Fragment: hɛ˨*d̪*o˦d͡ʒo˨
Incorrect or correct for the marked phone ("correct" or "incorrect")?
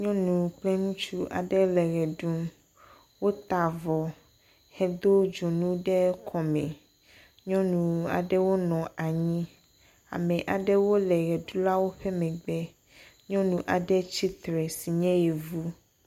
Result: correct